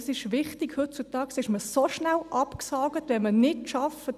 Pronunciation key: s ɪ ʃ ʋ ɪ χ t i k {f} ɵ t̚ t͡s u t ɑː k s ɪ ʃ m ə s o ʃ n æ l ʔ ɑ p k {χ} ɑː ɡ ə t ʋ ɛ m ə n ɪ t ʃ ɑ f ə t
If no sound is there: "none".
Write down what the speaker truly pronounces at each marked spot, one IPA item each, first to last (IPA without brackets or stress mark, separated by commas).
h, s